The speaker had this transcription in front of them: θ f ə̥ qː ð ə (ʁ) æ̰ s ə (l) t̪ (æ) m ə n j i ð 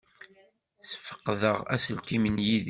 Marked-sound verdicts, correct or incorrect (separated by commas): correct, correct, incorrect